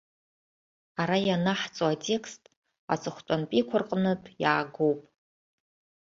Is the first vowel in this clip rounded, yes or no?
no